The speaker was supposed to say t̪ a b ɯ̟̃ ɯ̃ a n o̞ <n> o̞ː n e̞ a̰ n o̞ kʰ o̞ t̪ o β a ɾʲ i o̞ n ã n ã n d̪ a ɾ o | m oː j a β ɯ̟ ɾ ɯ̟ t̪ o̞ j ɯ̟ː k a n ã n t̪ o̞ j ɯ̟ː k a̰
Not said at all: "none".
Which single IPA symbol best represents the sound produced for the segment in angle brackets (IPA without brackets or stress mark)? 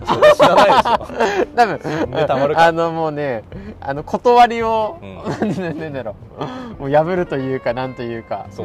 m